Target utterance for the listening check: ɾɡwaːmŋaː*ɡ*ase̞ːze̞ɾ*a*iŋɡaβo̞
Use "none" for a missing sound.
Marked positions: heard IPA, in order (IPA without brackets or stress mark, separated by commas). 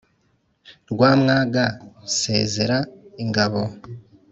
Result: ɡ, a